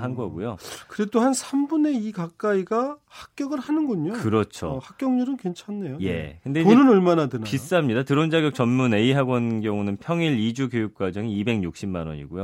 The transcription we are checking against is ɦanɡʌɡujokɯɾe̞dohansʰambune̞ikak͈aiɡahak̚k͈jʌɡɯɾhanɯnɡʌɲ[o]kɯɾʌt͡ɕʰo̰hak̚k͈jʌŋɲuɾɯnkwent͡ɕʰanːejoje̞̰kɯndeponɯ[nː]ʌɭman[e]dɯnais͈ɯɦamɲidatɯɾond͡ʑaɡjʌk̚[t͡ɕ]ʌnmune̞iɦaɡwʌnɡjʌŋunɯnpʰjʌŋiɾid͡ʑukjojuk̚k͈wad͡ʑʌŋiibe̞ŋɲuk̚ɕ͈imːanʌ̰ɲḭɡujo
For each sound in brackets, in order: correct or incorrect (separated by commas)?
correct, incorrect, incorrect, correct